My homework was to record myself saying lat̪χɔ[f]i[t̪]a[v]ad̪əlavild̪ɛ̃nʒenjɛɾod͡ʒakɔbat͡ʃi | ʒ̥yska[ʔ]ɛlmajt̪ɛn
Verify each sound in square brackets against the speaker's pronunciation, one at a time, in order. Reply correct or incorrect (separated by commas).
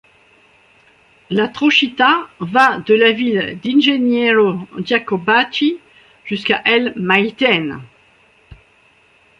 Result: incorrect, correct, correct, correct